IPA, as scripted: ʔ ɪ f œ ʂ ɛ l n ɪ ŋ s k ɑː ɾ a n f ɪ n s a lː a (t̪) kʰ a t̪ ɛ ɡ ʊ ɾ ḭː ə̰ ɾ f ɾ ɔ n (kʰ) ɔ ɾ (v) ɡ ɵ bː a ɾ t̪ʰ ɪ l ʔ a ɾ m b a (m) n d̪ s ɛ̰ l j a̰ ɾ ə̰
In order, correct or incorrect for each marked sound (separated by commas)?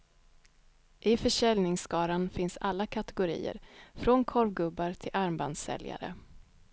incorrect, correct, correct, incorrect